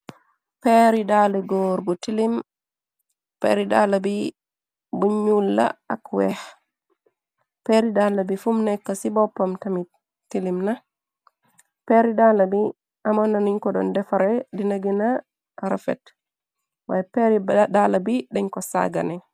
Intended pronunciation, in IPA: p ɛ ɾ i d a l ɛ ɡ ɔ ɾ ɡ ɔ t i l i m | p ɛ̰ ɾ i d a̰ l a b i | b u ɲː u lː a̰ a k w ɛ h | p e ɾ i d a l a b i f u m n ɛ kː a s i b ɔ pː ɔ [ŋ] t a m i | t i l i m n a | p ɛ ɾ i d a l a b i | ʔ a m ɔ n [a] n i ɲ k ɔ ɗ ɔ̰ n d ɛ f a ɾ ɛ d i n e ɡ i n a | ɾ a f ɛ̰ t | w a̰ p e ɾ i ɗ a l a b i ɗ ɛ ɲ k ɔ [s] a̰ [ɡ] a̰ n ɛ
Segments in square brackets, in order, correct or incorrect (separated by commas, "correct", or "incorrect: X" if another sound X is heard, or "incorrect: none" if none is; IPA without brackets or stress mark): incorrect: m, correct, correct, correct